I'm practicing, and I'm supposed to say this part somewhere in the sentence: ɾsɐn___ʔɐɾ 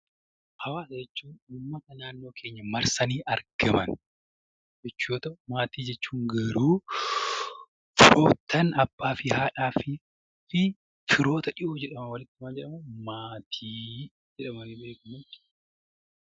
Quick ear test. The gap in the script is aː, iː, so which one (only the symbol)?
iː